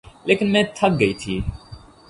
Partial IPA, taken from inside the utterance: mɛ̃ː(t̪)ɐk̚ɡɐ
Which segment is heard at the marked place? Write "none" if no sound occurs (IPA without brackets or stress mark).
t̪ʰ